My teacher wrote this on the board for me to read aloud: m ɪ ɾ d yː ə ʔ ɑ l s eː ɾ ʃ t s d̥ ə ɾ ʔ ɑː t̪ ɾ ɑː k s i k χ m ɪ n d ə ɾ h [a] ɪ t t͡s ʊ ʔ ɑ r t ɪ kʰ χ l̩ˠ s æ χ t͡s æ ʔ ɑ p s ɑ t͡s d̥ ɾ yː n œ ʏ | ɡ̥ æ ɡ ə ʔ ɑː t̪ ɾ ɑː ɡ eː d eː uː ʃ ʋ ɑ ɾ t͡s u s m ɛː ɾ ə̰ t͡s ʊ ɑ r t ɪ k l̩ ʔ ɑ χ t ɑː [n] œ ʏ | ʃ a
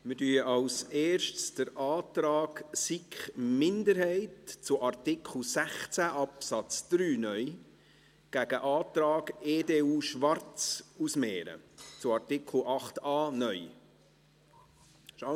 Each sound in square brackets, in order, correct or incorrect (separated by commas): incorrect, correct